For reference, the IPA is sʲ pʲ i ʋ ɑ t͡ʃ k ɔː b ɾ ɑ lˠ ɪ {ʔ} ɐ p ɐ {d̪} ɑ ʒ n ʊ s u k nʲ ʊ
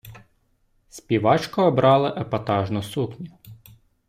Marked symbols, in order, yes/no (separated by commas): yes, no